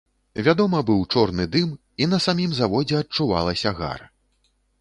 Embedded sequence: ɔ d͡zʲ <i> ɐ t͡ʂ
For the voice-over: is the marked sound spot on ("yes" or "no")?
no